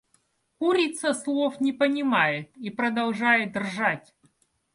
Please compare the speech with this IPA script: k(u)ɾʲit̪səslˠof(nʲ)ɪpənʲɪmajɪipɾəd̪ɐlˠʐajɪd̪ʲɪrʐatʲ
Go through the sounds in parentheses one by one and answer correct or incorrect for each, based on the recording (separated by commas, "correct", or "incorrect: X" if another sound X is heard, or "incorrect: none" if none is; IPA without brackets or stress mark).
correct, correct